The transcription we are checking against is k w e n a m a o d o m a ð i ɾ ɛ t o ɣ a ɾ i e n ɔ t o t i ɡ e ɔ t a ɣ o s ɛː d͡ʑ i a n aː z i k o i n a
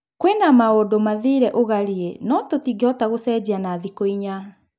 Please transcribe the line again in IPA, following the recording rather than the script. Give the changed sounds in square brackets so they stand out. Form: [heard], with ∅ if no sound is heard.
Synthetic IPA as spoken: k w e n a m a o d o m a ð i ɾ ɛ [ʔ] o ɣ a ɾ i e n ɔ t o t i ɡ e ɔ t a ɣ o s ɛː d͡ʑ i a n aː [ð] i k o i [ɲ] a

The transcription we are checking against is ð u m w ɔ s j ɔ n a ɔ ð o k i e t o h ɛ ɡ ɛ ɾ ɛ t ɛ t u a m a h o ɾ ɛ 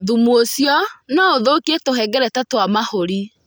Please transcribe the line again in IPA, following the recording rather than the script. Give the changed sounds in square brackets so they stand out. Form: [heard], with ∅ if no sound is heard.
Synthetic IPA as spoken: ð u m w [o] s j ɔ n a [o] ð o k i e t o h ɛ ɡ ɛ ɾ ɛ t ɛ t [w] a m a h o ɾ [i]

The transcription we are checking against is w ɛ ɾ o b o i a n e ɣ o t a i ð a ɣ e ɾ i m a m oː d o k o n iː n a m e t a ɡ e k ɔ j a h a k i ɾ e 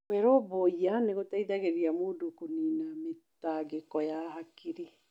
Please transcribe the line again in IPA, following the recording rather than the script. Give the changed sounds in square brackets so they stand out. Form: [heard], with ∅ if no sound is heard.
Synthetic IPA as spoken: w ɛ ɾ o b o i a n e ɣ o t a i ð a ɣ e ɾ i [∅] a m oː d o k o n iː n a m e t a ɡ e k ɔ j a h a k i ɾ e

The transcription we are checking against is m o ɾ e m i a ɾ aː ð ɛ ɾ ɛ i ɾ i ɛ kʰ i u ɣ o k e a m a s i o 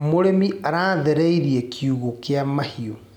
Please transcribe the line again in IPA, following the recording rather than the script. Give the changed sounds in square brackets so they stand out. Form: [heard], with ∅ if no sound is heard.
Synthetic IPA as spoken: m o ɾ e m i a ɾ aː ð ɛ ɾ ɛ i ɾ i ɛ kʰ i u ɣ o k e a m a [h] i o

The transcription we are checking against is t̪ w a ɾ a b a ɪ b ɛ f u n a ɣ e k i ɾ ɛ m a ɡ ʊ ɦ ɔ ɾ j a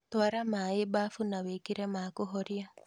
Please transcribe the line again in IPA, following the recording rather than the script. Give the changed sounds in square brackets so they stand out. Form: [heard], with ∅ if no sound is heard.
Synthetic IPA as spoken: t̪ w a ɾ a [m] a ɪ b [a] f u n a [w] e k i ɾ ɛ m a [k] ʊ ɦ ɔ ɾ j a

